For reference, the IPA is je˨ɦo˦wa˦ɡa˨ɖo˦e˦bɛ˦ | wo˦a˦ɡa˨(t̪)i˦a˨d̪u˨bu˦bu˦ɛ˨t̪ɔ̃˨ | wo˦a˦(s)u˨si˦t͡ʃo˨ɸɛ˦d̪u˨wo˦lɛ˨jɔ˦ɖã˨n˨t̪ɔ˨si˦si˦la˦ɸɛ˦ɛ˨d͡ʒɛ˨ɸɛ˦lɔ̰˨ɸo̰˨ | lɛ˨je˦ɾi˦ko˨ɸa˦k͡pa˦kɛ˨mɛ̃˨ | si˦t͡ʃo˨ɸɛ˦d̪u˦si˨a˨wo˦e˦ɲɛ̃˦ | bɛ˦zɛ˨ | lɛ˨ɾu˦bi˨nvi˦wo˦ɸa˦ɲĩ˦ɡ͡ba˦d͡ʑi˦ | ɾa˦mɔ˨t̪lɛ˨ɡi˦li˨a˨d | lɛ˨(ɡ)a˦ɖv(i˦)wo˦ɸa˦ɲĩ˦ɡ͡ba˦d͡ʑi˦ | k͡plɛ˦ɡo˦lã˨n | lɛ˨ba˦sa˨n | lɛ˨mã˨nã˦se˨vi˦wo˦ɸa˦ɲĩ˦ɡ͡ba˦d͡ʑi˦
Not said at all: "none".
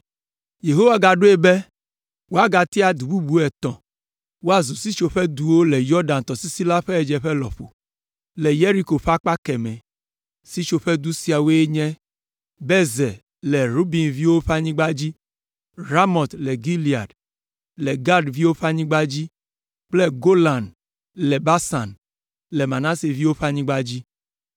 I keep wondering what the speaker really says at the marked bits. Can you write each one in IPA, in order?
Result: t̪, z, ɡ, i˦

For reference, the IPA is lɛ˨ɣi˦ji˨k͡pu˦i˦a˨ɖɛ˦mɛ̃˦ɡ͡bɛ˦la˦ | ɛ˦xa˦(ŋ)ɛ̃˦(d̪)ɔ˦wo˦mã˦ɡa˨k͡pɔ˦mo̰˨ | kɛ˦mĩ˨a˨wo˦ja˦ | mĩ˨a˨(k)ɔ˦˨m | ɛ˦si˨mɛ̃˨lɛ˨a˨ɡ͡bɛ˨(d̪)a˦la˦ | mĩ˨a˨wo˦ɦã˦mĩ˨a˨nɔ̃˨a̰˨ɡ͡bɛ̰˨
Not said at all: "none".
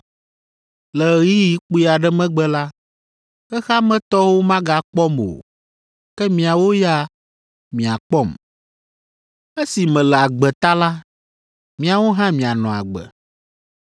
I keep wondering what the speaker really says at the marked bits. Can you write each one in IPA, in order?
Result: m, t̪, k͡p, t̪

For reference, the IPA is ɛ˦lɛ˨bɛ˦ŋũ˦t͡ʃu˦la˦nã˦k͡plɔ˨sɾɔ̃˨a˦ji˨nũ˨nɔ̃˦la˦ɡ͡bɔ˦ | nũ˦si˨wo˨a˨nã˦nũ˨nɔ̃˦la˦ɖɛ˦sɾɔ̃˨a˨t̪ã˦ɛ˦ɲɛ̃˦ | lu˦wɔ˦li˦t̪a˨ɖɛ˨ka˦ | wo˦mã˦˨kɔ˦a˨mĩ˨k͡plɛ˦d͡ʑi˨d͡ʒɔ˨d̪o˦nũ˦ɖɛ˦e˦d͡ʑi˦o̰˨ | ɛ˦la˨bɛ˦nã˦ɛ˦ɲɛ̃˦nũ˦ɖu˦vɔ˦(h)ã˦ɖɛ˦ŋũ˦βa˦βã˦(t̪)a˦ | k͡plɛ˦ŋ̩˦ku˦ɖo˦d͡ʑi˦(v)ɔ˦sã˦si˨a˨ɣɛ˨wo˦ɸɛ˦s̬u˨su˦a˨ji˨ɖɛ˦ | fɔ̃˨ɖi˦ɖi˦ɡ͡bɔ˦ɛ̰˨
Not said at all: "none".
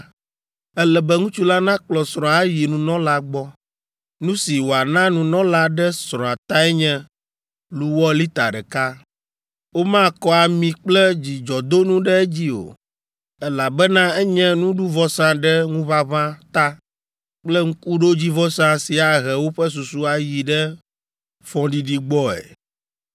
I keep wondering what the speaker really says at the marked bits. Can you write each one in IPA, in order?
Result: s, t̪, v

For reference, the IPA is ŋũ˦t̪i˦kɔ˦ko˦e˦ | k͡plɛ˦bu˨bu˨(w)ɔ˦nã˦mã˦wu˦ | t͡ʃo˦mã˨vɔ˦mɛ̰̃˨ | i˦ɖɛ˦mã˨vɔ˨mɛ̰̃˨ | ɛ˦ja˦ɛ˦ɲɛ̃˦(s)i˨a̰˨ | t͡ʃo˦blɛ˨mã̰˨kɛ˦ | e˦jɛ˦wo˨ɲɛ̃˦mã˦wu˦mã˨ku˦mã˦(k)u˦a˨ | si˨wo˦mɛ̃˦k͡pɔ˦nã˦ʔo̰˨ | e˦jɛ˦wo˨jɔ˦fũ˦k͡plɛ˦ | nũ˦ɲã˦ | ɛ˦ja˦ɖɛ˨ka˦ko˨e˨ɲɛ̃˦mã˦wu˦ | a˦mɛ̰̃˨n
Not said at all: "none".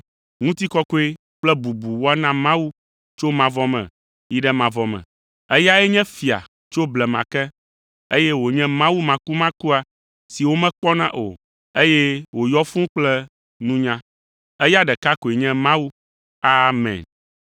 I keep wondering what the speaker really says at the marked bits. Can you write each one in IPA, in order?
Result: w, f, k

